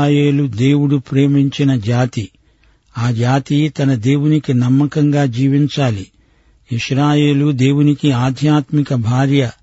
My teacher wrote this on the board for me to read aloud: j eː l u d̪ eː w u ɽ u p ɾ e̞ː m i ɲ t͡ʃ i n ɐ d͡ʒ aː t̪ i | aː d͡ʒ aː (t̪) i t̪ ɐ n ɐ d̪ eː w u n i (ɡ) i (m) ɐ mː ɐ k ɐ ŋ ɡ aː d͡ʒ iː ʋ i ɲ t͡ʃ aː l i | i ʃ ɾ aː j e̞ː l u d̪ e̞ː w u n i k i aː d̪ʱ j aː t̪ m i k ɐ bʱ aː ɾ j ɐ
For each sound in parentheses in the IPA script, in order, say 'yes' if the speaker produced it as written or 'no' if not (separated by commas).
yes, no, no